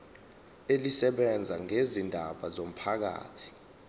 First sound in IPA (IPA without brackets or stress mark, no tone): e